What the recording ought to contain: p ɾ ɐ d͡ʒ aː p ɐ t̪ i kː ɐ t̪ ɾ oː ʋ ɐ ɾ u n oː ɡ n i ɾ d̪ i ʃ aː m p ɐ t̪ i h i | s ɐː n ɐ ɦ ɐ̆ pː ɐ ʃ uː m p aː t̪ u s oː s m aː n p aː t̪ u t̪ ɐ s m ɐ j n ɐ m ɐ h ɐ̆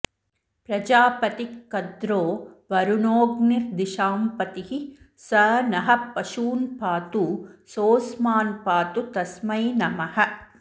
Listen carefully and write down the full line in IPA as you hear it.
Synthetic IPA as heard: p ɾ ɐ d͡ʒ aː p ɐ t̪ i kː ɐ d̪ ɾ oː ʋ ɐ ɾ u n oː ɡ n i ɾ d̪ i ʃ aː m p ɐ t̪ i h i | s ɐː n ɐ ɦ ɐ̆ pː ɐ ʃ uː n p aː t̪ u s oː s m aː n p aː t̪ u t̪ ɐ s m ɐ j n ɐ m ɐ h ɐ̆

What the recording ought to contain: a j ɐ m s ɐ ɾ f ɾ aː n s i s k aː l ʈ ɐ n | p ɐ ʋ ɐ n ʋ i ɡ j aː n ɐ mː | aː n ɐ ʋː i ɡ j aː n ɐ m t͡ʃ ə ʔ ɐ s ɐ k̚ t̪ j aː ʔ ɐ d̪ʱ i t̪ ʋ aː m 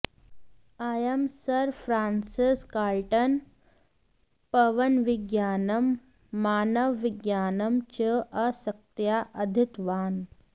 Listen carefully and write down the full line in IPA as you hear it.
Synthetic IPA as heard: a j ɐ m s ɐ ɾ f ɾ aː n s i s k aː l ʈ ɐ n | p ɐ ʋ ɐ n ʋ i ɡ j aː n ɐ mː | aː n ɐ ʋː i ɡ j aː n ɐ m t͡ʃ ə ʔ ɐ s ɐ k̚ t̪ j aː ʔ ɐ d̪ʱ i t̪ ʋ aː n

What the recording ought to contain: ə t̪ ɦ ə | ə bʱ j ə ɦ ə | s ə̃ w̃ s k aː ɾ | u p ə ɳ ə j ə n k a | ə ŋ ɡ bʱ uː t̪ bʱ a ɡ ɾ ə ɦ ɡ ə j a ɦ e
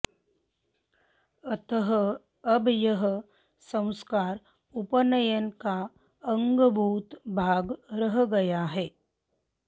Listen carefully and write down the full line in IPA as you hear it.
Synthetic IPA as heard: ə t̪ ɦ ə | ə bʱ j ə ɦ ə | s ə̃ w̃ s k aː ɾ | u p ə n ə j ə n k a | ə ŋ ɡ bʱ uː t̪ bʱ a ɡ ɾ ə ɦ ɡ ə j a ɦ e

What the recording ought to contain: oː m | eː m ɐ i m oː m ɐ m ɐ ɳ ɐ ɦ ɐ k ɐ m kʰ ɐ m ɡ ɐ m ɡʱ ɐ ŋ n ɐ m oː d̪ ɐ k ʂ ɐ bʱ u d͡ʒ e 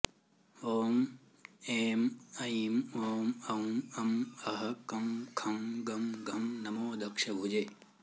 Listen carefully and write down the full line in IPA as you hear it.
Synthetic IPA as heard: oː m | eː m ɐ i m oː m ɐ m ɐ m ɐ ɦ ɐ k ɐ m kʰ ɐ m ɡ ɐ m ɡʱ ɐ m n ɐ m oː d̪ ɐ k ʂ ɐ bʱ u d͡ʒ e

